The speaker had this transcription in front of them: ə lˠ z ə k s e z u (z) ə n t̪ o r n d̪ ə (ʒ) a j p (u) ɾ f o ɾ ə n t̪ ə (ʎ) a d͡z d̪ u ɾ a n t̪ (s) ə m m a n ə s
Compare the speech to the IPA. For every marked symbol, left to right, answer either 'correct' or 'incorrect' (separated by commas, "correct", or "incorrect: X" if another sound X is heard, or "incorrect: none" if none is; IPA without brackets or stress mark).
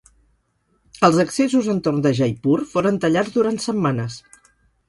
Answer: correct, correct, correct, correct, correct